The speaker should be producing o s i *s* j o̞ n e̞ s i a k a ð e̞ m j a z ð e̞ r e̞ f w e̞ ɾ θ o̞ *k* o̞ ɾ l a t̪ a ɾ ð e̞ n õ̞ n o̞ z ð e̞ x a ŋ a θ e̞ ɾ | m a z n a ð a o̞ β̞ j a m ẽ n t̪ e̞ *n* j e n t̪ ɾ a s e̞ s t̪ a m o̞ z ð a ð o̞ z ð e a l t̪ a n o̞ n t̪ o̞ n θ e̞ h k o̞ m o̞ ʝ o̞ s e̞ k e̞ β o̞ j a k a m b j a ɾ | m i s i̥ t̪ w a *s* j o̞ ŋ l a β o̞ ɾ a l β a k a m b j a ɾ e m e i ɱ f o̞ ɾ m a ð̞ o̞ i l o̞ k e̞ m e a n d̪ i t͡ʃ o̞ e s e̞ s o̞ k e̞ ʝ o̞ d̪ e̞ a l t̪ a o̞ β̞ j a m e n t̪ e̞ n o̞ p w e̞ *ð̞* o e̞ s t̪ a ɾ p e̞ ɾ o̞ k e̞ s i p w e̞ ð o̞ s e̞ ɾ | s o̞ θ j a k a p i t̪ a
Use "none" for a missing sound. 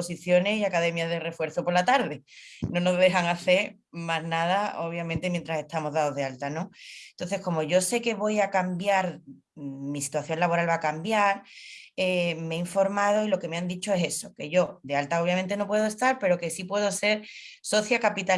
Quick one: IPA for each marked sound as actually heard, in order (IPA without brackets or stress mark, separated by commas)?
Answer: θ, p, m, θ, ð̞